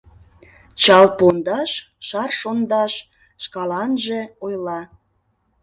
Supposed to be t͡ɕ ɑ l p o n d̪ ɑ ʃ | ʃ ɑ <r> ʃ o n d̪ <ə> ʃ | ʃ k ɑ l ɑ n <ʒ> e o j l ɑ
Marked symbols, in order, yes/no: yes, no, yes

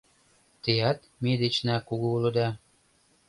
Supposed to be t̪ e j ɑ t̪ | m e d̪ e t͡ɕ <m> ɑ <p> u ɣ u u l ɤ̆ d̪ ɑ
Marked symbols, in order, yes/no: no, no

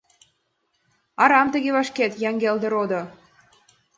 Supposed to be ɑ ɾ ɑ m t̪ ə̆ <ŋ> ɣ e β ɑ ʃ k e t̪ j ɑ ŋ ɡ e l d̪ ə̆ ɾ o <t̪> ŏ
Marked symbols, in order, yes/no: no, no

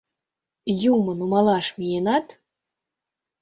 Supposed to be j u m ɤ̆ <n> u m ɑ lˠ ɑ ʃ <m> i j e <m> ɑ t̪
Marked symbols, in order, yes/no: yes, yes, no

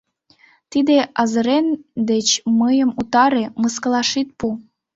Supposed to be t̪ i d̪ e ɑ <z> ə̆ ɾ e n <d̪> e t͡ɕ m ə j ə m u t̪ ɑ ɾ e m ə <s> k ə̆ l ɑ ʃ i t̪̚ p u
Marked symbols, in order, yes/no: yes, yes, yes

